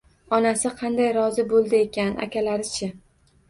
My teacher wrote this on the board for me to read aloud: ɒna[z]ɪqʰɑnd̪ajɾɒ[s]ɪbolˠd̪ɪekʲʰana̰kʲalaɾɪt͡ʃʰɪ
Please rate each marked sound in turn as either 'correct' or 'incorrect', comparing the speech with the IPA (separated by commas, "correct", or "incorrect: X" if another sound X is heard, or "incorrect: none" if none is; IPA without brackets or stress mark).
incorrect: s, incorrect: z